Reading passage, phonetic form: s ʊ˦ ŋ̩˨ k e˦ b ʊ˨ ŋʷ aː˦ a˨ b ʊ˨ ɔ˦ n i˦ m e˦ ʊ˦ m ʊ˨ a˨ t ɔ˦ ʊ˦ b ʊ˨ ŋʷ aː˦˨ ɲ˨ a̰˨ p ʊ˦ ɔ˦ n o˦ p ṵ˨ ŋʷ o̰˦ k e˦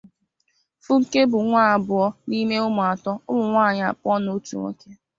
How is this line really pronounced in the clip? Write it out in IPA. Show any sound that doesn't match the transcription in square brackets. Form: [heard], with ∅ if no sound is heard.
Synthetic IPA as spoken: [f] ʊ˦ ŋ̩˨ k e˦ b ʊ˨ ŋʷ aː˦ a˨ b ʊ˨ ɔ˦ n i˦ m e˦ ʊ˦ m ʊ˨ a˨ t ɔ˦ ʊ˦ [m] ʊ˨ ŋʷ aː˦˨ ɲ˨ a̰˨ p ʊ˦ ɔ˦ n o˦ [t] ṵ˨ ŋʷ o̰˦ k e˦